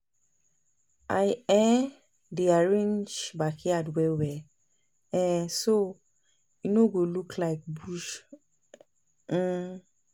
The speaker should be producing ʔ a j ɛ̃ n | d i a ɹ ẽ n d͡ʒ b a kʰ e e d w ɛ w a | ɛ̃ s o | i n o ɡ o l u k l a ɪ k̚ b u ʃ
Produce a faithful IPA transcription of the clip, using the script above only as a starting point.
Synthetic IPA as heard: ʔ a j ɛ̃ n | d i a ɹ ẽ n d͡ʒ b a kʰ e a d w ɛ w ɛ | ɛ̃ s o | i n o ɡ o l u k l a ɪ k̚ b u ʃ